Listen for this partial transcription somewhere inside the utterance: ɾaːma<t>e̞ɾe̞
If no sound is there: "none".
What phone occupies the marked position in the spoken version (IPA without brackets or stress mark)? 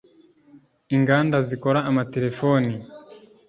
t